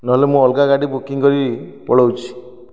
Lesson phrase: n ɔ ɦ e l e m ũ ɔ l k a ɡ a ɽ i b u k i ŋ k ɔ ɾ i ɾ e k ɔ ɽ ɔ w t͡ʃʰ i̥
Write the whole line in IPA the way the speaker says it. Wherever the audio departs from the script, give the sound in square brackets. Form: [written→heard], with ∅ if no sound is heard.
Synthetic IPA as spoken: n ɔ ɦ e l e m ũ ɔ l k a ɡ a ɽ i b u k i ŋ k ɔ ɾ i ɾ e [k→p] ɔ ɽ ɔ w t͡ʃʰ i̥

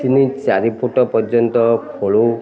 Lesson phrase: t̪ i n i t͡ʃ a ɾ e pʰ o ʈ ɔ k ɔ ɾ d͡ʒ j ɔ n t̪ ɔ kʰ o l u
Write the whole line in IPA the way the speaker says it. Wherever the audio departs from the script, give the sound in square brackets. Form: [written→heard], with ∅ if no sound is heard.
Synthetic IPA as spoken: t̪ i n i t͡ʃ a ɾ [e→i] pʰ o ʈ ɔ [k→p] ɔ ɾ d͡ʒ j ɔ n t̪ ɔ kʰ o [l→ɭ] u

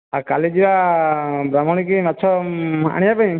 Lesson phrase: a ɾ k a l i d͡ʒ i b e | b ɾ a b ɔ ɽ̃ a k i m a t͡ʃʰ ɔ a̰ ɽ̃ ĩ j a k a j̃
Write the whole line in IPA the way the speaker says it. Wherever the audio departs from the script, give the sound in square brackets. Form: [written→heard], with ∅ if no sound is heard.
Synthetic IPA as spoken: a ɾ k a l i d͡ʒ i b [e→a] | b ɾ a [b→m] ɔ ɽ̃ [a→i] k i m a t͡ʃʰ ɔ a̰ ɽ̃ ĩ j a [k→p] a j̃

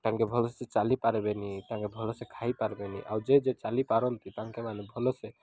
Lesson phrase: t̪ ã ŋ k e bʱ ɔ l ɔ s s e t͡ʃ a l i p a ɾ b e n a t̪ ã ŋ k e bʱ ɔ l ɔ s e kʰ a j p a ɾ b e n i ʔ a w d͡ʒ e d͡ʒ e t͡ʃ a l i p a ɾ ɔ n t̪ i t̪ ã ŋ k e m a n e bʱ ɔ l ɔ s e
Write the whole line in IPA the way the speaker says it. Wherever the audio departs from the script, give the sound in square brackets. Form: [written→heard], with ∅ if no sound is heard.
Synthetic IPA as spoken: t̪ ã ŋ k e bʱ ɔ l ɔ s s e t͡ʃ a l i p a ɾ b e n [a→i] t̪ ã ŋ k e bʱ ɔ l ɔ s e kʰ a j p a ɾ b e n i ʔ a w d͡ʒ e d͡ʒ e t͡ʃ a l i p a ɾ ɔ n t̪ i t̪ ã ŋ k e m a n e bʱ ɔ l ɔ s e

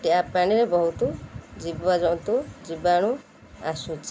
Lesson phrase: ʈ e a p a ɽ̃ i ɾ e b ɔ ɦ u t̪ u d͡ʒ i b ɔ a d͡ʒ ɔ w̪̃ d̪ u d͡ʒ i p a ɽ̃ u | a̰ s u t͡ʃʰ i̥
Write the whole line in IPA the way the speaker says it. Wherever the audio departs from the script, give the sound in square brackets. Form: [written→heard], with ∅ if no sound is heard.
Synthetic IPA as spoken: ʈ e a p a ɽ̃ i ɾ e b ɔ ɦ u t̪ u d͡ʒ i b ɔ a d͡ʒ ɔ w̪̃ [d̪→t̪] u d͡ʒ i [p→b] a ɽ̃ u | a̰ s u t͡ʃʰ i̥

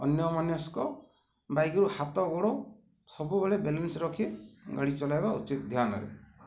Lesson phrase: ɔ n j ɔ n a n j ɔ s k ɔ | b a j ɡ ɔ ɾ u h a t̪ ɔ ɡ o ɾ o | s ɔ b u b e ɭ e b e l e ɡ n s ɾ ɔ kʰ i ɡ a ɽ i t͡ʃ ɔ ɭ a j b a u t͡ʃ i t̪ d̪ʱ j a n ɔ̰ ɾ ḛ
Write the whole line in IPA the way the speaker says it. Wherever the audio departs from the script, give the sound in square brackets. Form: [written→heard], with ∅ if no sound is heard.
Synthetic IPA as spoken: ɔ n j ɔ [n→m] a n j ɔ s k ɔ | b a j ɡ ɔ ɾ u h a t̪ ɔ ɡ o [ɾ→ɽ] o | s ɔ b u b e ɭ e b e l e [ɡ→∅] n s ɾ ɔ kʰ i ɡ a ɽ i t͡ʃ ɔ [ɭ→l] a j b a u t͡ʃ i t̪ d̪ʱ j a n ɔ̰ ɾ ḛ

